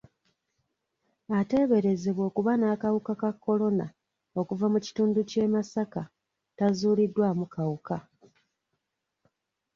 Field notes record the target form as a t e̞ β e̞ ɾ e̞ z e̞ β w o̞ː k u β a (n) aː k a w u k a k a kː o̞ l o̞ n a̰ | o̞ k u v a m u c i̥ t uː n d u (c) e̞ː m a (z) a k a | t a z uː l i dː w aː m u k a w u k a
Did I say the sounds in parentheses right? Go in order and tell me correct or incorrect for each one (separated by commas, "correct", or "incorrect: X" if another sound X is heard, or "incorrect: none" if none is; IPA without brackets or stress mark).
correct, correct, incorrect: s